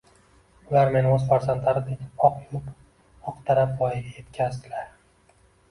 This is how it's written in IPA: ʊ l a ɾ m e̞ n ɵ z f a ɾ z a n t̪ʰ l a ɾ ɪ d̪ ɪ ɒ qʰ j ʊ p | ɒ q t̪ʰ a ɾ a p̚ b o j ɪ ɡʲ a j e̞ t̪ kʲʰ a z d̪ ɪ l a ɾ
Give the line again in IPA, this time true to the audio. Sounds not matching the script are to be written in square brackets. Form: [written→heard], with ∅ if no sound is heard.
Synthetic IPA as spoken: ʊ l a ɾ m e̞ n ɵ z f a ɾ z a n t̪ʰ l a ɾ ɪ d̪ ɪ ɒ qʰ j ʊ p | ɒ q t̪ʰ a ɾ a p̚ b [o→ɒ] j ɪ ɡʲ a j e̞ t̪ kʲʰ a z d̪ ɪ l a ɾ